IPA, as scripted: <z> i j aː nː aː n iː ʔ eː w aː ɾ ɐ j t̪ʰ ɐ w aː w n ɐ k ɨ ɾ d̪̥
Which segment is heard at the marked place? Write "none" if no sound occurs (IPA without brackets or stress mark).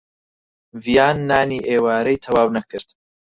v